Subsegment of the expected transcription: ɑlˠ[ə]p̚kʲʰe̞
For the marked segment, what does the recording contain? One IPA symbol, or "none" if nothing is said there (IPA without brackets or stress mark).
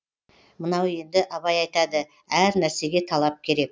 ɑ